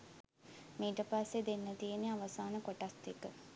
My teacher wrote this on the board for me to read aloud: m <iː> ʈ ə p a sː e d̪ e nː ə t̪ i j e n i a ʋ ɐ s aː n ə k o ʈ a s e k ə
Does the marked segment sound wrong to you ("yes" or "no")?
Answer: no